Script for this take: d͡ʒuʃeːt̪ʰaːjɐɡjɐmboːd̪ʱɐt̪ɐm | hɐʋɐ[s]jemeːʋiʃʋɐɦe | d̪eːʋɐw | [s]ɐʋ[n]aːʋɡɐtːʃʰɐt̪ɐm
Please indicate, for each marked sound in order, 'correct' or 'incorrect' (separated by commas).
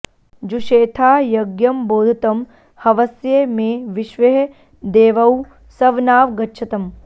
correct, correct, correct